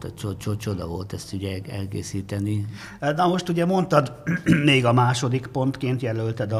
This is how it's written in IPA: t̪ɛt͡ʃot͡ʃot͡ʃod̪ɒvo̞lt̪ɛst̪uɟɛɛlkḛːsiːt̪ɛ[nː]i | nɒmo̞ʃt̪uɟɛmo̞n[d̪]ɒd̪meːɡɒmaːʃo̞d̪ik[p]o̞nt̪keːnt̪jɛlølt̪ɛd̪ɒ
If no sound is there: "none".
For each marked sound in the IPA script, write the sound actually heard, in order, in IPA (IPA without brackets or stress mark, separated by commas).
n, t̪, p